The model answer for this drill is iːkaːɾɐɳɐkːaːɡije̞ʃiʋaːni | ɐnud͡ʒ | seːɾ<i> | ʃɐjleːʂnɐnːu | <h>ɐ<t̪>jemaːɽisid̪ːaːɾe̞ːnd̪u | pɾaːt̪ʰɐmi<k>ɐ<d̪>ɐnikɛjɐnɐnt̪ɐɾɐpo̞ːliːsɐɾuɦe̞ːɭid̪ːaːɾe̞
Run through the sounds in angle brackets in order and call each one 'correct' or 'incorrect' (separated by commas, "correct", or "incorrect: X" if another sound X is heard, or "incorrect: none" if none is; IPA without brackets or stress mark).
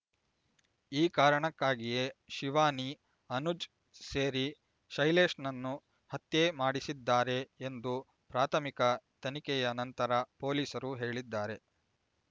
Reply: correct, correct, correct, correct, incorrect: t̪